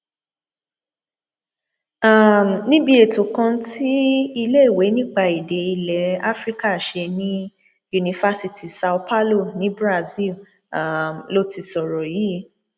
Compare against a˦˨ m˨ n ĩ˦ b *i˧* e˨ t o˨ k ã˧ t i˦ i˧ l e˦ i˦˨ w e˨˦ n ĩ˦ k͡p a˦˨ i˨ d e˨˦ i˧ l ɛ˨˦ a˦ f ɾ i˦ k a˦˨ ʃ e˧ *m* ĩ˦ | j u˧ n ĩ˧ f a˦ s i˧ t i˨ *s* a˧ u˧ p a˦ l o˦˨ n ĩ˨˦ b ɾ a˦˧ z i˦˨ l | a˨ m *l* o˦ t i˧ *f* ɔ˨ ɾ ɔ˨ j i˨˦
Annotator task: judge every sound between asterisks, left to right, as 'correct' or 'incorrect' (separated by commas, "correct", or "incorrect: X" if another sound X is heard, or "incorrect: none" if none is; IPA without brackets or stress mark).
correct, incorrect: n, correct, correct, incorrect: s